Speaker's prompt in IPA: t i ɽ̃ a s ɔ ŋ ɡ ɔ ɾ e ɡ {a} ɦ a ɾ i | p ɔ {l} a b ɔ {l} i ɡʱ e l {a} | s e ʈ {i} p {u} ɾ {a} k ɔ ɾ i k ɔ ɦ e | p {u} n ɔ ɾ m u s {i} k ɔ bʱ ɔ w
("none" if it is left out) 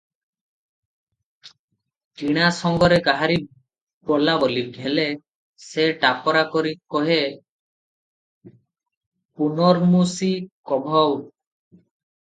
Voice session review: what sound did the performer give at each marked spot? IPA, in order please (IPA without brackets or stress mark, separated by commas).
a, l, l, e, a, ɔ, a, u, i